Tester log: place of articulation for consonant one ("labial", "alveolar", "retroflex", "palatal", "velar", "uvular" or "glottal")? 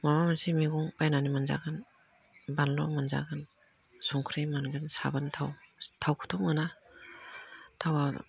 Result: labial